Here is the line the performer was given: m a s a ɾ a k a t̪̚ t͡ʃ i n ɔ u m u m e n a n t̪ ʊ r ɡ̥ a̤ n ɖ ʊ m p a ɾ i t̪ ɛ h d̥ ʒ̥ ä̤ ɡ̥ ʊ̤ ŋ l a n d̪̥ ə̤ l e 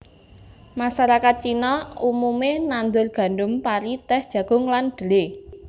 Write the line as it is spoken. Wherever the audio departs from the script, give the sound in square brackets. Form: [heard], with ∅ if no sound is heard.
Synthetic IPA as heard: m a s a ɾ a k a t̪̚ t͡ʃ i n ɔ u m u m e n a n [d̪] ʊ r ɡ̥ a̤ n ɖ ʊ m p a ɾ i t̪ ɛ h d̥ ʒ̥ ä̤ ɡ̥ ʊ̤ ŋ l a n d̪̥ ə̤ l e